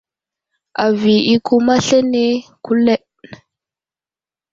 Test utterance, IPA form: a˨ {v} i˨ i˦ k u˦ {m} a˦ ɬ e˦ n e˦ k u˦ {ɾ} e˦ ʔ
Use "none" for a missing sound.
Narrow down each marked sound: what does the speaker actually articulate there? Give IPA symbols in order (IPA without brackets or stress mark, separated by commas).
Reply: v, m, l